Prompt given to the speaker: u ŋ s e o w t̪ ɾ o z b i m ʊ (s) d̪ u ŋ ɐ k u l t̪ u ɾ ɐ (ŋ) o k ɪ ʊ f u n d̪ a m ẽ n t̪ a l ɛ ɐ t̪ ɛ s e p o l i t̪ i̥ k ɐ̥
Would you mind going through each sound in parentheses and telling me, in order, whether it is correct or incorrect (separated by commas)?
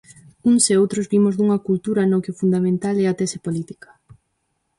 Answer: incorrect, incorrect